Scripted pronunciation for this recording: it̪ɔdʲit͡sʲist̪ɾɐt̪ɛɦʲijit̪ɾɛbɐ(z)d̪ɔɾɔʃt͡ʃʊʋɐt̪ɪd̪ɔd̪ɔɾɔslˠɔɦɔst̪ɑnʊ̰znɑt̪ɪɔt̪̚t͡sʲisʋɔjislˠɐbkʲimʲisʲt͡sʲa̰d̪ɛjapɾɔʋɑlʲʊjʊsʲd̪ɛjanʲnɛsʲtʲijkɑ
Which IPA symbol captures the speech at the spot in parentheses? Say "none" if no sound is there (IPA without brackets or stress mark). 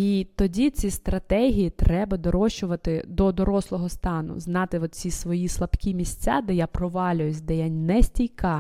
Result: none